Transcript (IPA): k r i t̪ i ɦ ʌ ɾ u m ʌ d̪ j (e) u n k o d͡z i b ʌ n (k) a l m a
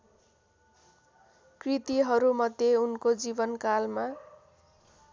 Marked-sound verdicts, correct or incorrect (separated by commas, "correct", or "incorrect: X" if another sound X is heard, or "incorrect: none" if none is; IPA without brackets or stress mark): correct, correct